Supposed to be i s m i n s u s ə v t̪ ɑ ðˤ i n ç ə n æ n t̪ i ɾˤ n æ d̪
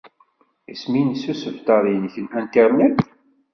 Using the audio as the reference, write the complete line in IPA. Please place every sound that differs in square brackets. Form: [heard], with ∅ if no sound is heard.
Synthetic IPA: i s m i n s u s ə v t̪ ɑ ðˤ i n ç ə n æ n t̪ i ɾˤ n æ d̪

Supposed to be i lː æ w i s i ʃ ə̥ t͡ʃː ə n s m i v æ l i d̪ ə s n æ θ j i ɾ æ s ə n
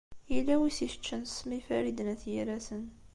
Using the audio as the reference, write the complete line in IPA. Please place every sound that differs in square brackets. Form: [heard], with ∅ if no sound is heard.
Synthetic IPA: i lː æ w i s i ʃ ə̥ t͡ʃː ə n s m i [f] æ [ɾ] i d̪ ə [∅] n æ θ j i ɾ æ s ə n

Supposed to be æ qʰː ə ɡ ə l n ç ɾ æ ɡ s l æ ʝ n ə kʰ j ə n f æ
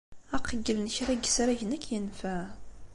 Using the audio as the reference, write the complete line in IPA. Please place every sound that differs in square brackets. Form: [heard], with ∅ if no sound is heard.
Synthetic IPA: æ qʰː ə ɡ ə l n ç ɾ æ ɡ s [ɾ] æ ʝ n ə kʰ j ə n f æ

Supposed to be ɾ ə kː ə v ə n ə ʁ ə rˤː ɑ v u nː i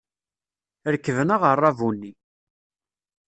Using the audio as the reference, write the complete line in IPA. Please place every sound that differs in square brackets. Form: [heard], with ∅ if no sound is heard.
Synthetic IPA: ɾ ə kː ə v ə n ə ʁ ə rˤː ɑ v u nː i

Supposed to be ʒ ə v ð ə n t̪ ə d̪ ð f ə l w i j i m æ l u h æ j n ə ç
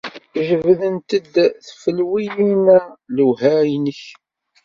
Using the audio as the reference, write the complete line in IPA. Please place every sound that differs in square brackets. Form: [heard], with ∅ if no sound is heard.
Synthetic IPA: ʒ ə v ð ə n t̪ ə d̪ [θ] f ə l w i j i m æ l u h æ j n ə ç

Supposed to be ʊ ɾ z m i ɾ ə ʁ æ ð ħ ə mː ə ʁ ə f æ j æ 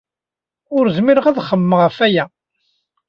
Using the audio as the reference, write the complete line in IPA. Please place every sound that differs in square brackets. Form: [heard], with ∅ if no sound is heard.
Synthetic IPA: ʊ ɾ z m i ɾ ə ʁ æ ð [χ] ə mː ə ʁ ə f æ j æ

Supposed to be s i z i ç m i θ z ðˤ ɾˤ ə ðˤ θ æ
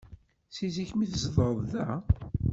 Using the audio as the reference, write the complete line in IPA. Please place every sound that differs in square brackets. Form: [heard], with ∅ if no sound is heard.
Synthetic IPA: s i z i ç m i θ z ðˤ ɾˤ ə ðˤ [ð] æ

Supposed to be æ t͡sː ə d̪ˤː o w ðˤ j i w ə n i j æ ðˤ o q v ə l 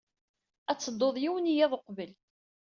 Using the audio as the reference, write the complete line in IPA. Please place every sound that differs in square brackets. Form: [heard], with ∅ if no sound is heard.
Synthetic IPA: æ t͡sː ə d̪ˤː o [∅] ðˤ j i w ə n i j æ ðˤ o q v ə l

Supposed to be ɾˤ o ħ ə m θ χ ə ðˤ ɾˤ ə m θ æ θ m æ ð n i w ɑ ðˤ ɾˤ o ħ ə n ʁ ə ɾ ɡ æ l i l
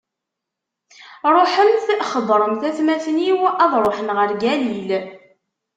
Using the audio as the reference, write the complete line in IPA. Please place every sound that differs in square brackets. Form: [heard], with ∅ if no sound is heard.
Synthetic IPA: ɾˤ o ħ ə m θ χ ə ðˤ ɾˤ ə m θ æ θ m æ [θ] n i w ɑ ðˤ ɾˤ o ħ ə n ʁ ə ɾ ɡ æ l i l

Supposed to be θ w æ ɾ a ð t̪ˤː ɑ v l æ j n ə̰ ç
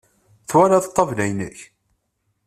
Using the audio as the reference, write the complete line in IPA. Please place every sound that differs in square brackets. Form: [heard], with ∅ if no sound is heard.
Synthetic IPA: θ w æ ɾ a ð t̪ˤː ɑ v l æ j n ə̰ ç

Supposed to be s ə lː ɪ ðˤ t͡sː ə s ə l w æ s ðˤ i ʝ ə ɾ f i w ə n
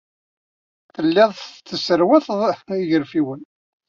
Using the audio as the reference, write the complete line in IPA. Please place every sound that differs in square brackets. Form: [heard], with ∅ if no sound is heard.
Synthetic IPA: [θ] ə lː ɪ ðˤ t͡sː ə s ə [ɾ] w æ [θ] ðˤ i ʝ ə ɾ f i w ə n

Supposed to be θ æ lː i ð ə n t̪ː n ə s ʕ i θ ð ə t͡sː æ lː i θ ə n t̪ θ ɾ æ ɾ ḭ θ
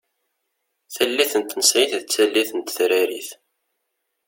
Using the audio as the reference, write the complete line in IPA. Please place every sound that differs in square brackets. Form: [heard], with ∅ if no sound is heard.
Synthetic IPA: θ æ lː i [θ] ə n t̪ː n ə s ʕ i θ ð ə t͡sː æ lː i θ ə n t̪ θ ɾ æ ɾ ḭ θ

